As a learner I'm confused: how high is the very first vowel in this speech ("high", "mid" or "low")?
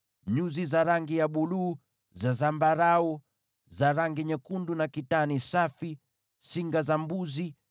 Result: high